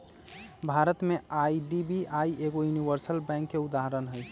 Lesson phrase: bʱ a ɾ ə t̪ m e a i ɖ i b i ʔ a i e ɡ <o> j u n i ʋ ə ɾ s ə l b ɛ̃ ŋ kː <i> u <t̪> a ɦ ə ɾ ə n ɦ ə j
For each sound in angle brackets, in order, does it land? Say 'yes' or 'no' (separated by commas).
yes, no, no